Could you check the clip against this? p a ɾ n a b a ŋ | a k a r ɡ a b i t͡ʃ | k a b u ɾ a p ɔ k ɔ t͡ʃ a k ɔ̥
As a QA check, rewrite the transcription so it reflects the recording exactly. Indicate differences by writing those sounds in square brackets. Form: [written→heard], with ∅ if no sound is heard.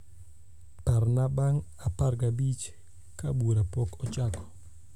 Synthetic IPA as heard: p a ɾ n a b a ŋ | a [k→p] a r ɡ a b i t͡ʃ | k a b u ɾ a p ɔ k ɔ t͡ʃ a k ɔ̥